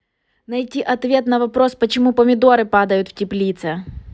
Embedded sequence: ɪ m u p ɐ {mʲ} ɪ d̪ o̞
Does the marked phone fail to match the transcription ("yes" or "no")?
no